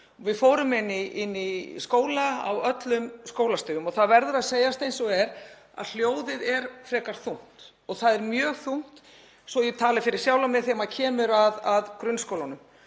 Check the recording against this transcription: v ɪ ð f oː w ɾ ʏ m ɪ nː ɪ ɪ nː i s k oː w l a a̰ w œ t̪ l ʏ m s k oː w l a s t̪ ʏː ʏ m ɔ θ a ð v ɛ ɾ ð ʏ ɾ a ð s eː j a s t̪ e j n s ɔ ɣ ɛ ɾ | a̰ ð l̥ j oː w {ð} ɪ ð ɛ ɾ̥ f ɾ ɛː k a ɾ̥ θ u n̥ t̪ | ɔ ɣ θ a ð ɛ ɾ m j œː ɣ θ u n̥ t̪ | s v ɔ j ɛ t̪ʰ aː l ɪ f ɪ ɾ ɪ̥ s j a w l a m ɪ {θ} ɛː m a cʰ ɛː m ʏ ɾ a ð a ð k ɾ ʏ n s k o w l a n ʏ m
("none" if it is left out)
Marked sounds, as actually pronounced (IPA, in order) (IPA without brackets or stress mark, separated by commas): ð, θ